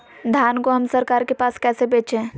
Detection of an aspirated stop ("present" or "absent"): absent